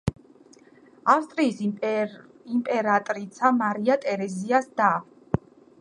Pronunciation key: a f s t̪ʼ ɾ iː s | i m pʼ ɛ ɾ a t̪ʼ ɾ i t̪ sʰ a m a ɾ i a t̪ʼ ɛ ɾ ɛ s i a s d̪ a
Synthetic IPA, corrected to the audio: a f s t̪ʼ ɾ iː s | i m pʼ ɛ ɾ a t̪ʼ ɾ i t̪ sʰ a m a ɾ i a t̪ʼ ɛ ɾ ɛ z i a s d̪ a

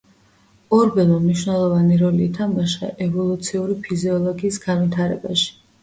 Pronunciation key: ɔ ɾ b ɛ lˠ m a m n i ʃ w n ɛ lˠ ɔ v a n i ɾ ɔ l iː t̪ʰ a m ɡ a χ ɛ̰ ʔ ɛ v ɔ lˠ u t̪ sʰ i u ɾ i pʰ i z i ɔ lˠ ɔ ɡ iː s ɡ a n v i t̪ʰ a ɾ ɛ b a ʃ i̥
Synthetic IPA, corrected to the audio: ɔ ɾ b ɛ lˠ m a m n i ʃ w n ɛ lˠ ɔ v a n i ɾ ɔ l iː t̪ʰ a m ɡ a ʃ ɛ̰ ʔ ɛ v ɔ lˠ u t̪ sʰ i u ɾ i pʰ i z i ɔ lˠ ɔ ɡ iː s ɡ a n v i t̪ʰ a ɾ ɛ b a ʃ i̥

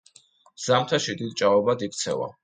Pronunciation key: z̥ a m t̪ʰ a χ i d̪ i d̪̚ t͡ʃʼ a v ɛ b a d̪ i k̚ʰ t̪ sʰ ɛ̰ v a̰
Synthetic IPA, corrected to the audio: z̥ a m t̪ʰ a ʃ i d̪ i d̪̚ t͡ʃʼ a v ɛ b a d̪ i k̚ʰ t̪ sʰ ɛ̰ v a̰

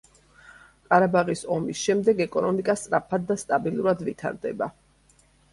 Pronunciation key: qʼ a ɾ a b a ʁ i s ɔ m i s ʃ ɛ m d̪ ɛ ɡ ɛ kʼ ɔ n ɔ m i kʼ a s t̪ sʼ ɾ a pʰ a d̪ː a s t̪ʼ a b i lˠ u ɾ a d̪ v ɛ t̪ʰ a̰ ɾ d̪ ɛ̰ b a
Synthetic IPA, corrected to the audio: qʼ a ɾ a b a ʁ i s ɔ m i s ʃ ɛ m d̪ ɛ ɡ ɛ kʼ ɔ n ɔ m i kʼ a s t̪ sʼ ɾ a pʰ a d̪ː a s t̪ʼ a b i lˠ u ɾ a d̪ v i t̪ʰ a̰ ɾ d̪ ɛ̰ b a

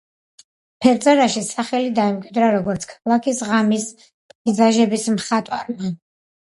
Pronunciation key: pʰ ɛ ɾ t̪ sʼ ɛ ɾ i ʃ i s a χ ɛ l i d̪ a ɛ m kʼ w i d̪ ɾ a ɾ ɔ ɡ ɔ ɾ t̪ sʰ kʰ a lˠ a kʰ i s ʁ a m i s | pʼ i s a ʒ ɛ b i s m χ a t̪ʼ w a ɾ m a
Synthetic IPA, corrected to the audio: pʰ ɛ ɾ t̪ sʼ ɛ ɾ a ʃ i s a χ ɛ l i d̪ a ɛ m kʼ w i d̪ ɾ a ɾ ɔ ɡ ɔ ɾ t̪ sʰ kʰ a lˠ a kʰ i s ʁ a m i s | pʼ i z a ʒ ɛ b i s m χ a t̪ʼ w a ɾ m a

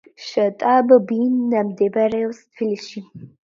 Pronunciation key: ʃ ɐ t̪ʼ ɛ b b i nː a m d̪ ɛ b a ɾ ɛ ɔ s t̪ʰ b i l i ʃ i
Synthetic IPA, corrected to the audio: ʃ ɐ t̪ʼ a b b i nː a m d̪ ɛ b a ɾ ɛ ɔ s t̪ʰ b i l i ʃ i

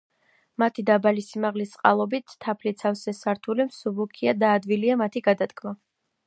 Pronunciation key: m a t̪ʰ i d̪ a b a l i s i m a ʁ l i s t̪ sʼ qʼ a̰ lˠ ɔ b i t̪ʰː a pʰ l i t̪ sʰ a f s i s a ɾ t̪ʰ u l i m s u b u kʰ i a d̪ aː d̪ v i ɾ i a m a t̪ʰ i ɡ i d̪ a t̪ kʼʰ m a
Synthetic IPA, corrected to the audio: m a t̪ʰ i d̪ a b a l i s i m a ʁ l i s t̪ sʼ qʼ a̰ lˠ ɔ b i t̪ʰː a pʰ l i t̪ sʰ a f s ɛ s a ɾ t̪ʰ u l i m s u b u kʰ i a d̪ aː d̪ v i l i a m a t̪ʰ i ɡ a d̪ a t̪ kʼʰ m a

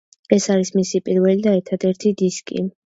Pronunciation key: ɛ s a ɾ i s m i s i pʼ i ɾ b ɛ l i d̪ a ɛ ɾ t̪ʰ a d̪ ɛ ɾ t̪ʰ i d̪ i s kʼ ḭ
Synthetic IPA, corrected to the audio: ɛ s a ɾ i s m i s i pʼ i ɾ v ɛ l i d̪ a ɛ ɾ t̪ʰ a d̪ ɛ ɾ t̪ʰ i d̪ i s kʼ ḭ

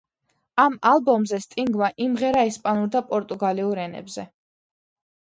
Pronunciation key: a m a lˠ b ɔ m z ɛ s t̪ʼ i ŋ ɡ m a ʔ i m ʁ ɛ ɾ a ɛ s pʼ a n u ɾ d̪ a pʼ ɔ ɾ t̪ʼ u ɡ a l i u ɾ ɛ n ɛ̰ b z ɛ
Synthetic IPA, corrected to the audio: a m a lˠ b ɔ m z ɛ s t̪ʼ i ŋ ɡ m a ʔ i m ʁ ɛ ɾ a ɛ s pʼ a n u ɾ d̪ a pʼ ɔ ɾ t̪ʼ u ɡ a l i u ɾ ɛ n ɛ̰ b z ɛ

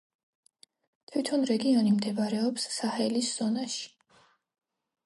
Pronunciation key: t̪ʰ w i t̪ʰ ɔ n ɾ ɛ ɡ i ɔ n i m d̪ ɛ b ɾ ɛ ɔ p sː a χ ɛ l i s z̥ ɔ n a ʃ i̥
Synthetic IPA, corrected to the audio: t̪ʰ w i t̪ʰ ɔ n ɾ ɛ ɡ i ɔ n i m d̪ ɛ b ɾ ɛ ɔ p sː a h ɛ l i s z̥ ɔ n a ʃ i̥

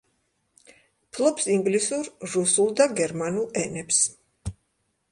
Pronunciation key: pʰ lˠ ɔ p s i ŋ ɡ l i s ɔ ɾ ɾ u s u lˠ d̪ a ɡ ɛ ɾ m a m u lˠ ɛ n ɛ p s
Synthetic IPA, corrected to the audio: pʰ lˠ ɔ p s i ŋ ɡ l i s u ɾ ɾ u s u lˠ d̪ a ɡ ɛ ɾ m a n u lˠ ɛ n ɛ p s

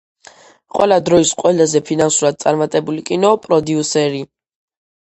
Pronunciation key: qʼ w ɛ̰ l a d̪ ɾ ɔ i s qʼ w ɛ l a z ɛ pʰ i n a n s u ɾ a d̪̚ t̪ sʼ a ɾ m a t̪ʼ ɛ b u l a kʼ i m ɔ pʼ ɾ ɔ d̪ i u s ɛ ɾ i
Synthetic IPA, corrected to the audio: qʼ w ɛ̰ l a d̪ ɾ ɔ i s qʼ w ɛ l a z ɛ pʰ i n a n s u ɾ a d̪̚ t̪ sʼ a ɾ m a t̪ʼ ɛ b u l i kʼ i n ɔ pʼ ɾ ɔ d̪ i u s ɛ ɾ i

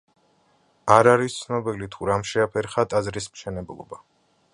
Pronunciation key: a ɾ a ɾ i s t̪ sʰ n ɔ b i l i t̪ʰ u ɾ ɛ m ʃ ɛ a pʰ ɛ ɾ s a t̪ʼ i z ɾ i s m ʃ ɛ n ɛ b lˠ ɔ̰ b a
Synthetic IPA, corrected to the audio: a ɾ a ɾ i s t̪ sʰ n ɔ b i l i t̪ʰ u ɾ a m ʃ ɛ a pʰ ɛ ɾ χ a t̪ʼ a z ɾ i s m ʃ ɛ n ɛ b lˠ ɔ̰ b a

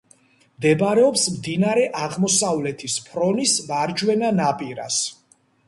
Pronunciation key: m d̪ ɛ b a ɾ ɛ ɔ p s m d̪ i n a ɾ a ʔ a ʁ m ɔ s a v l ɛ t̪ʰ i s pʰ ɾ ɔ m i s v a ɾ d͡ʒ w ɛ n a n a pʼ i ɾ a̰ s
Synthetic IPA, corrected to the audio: m d̪ ɛ b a ɾ ɛ ɔ p s m d̪ i n a ɾ ɛ ʔ a ʁ m ɔ s a v l ɛ t̪ʰ i s pʰ ɾ ɔ n i s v a ɾ d͡ʒ w ɛ n a n a pʼ i ɾ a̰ s

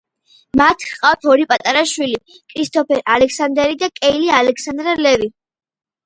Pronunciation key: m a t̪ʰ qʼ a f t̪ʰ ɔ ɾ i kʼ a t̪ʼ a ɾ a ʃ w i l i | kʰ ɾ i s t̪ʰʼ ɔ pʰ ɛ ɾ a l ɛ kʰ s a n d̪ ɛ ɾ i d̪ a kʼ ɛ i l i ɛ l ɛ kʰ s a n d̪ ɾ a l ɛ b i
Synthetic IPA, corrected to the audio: m a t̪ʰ qʼ a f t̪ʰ ɔ ɾ i pʼ a t̪ʼ a ɾ a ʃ w i l i | kʰ ɾ i s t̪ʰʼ ɔ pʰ ɛ ɾ a l ɛ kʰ s a n d̪ ɛ ɾ i d̪ a kʼ ɛ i l i a l ɛ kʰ s a n d̪ ɾ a l ɛ v i

